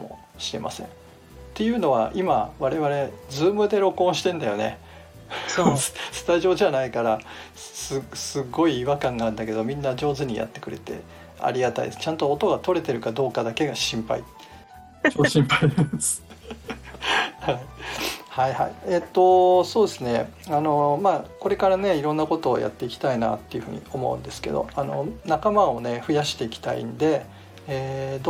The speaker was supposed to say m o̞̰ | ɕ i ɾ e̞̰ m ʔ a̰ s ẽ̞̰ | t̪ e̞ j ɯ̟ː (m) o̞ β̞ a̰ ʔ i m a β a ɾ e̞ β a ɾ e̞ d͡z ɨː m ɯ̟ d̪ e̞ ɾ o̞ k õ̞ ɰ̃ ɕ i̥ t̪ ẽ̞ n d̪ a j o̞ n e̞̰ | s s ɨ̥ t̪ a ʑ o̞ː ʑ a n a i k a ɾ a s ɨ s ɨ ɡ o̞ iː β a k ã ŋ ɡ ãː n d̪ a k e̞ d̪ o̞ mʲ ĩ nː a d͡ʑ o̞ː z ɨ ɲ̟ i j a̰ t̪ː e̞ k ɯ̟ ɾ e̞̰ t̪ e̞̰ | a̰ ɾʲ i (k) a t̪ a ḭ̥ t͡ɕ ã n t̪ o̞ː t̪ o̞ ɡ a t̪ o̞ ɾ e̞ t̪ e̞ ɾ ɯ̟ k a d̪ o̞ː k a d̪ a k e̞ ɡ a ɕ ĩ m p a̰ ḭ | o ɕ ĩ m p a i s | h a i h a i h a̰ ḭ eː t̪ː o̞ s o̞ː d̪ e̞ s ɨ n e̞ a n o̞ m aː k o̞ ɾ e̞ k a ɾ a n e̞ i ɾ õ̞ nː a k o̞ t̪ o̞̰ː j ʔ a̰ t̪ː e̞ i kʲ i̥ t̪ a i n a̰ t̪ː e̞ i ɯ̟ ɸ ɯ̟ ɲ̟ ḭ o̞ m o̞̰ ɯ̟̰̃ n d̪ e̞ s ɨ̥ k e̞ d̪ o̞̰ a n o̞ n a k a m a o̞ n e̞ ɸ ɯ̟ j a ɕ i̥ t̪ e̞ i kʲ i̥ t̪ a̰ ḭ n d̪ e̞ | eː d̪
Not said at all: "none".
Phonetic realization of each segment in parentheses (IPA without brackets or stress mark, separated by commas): n, ɡ